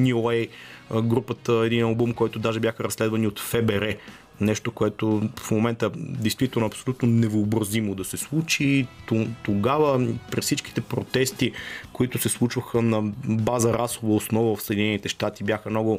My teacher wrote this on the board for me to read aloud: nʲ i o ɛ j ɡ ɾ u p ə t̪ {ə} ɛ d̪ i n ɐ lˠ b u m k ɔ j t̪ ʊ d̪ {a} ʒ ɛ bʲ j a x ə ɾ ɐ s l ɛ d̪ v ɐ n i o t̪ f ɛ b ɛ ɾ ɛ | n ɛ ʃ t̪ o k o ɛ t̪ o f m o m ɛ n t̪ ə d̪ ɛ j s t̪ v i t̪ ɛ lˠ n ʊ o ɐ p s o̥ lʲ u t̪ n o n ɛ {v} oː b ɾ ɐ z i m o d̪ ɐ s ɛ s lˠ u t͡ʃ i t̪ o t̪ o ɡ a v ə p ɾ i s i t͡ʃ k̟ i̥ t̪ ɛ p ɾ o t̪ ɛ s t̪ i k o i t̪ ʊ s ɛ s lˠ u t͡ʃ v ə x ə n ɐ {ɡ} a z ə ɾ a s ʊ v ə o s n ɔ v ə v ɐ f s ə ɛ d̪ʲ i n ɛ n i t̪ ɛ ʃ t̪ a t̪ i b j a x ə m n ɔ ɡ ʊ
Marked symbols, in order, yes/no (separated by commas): yes, yes, yes, no